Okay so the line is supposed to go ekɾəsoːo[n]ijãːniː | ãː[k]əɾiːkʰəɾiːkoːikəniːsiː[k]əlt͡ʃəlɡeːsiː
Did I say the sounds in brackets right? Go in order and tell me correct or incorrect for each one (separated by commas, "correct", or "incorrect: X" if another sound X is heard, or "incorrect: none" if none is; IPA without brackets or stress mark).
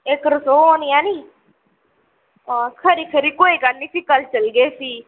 correct, incorrect: kʰ, correct